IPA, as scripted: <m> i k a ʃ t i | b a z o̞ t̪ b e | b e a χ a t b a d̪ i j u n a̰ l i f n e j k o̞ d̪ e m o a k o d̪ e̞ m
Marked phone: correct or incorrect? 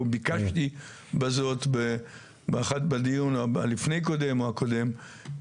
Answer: incorrect